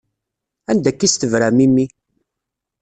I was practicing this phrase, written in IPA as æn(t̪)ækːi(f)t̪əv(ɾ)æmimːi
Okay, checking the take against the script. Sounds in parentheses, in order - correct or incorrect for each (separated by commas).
incorrect, incorrect, correct